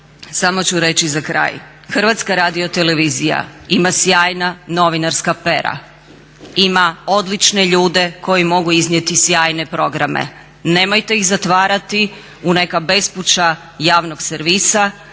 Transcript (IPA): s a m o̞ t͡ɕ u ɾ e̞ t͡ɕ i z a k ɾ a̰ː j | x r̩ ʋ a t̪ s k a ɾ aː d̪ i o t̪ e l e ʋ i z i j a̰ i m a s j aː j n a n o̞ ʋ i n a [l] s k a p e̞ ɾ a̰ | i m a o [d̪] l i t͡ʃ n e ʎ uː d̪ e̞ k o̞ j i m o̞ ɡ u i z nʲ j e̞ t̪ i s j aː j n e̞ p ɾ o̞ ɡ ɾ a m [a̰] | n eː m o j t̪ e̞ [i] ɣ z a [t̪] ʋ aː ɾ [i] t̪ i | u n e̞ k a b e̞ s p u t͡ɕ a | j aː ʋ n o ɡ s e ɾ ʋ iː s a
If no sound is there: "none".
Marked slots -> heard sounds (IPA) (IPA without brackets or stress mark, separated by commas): ɾ, d̪, ḛ, i, t̪, a